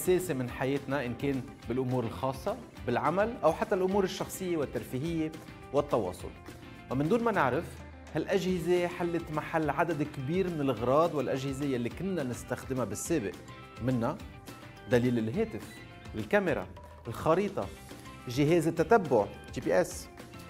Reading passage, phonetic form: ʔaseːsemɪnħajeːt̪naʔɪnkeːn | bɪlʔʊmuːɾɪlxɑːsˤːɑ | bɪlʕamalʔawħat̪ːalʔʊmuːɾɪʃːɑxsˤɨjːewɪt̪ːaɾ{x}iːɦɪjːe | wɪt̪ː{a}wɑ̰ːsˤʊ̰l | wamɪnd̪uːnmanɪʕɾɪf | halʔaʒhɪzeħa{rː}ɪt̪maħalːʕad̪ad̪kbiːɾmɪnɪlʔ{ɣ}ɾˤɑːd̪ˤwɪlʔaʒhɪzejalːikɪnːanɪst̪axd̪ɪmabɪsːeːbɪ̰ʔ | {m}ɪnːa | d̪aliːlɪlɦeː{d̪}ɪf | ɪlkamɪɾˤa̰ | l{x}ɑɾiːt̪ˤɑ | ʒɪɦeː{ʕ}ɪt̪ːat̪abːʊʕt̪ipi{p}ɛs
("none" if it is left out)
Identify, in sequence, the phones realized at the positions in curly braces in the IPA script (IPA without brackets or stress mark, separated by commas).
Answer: f, ɑ, lː, ɣ, m, t̪, x, z, ʔ